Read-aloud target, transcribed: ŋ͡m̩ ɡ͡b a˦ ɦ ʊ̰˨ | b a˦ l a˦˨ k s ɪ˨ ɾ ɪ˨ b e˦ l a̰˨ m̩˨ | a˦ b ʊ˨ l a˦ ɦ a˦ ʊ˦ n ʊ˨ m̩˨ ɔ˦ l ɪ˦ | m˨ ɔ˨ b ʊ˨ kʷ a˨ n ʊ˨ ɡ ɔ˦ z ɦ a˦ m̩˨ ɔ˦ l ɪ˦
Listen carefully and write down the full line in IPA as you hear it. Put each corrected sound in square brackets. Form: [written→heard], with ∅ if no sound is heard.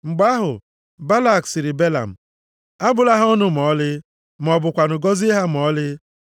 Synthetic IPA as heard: ŋ͡m̩ ɡ͡b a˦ ɦ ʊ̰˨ | b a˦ l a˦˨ k s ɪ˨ ɾ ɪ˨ b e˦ l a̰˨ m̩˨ | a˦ b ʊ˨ l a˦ ɦ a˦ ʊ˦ n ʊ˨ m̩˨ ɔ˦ l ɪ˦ | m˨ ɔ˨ b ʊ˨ kʷ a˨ n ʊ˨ ɡ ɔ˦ z ɦ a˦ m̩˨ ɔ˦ l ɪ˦